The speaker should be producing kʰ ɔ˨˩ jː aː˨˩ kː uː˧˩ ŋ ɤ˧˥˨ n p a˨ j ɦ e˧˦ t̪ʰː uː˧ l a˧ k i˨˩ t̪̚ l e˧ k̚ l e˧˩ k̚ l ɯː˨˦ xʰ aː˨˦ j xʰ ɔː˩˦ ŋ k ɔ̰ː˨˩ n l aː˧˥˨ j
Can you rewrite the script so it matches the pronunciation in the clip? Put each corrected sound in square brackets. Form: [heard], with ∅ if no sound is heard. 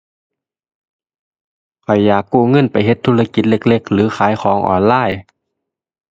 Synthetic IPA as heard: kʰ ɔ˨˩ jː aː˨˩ kː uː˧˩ ŋ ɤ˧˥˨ n p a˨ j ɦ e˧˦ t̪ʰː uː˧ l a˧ k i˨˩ t̪̚ l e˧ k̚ l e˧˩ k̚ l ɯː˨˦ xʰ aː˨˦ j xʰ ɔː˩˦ ŋ [ʔ] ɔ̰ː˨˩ n l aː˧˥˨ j